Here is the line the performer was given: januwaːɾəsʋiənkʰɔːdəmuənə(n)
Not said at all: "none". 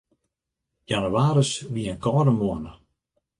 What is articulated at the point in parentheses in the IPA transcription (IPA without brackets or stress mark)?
none